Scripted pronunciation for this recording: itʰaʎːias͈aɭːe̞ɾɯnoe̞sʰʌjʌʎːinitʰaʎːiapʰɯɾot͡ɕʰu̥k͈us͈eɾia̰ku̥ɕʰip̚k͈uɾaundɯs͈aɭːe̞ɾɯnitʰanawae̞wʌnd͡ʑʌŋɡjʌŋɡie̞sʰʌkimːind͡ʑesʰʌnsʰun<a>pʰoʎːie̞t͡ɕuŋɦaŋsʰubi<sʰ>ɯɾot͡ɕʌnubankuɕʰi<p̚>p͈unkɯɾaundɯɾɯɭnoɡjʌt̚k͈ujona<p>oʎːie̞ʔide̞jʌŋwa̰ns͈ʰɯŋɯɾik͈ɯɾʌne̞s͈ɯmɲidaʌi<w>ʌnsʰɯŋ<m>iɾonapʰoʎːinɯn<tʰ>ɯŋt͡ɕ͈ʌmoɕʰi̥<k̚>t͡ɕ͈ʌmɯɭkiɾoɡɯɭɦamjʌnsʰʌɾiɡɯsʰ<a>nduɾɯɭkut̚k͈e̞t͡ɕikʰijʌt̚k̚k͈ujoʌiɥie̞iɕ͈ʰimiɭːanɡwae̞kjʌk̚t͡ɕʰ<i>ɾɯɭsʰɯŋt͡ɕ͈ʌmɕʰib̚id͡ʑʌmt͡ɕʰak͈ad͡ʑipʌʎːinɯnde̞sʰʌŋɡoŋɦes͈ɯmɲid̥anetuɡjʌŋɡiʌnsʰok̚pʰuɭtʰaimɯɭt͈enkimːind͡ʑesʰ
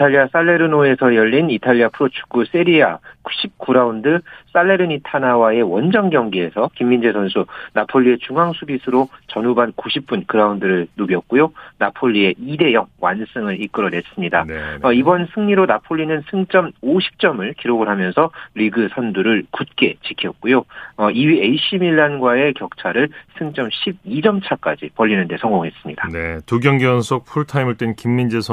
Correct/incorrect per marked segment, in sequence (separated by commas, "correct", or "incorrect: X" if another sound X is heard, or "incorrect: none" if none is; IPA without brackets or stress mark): correct, correct, correct, incorrect: pʰ, incorrect: b, incorrect: ɲ, incorrect: sʰ, incorrect: p̚, incorrect: ʌ, incorrect: a